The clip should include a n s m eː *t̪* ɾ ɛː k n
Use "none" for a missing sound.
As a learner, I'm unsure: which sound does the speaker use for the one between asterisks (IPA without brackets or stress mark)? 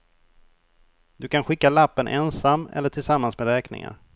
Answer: d̪